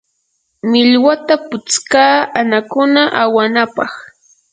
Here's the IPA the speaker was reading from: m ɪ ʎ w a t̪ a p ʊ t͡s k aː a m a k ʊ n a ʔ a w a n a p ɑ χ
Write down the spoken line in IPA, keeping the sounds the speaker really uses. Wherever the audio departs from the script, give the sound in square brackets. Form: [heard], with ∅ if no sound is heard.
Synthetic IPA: m ɪ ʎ w a t̪ a p ʊ t͡s k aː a [n] a k ʊ n a ʔ a w a n a p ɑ χ